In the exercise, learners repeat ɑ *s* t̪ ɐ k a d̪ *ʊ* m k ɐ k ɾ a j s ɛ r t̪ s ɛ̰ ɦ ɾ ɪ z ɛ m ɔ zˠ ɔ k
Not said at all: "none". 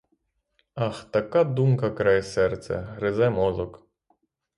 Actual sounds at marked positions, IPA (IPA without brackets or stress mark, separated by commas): x, u